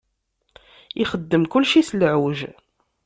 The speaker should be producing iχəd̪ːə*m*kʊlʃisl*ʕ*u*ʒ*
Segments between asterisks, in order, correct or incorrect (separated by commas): correct, correct, correct